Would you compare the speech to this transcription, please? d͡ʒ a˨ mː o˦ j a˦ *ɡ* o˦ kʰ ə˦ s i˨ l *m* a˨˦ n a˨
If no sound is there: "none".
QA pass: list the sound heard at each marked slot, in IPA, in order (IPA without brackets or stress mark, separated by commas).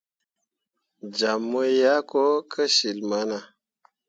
k, m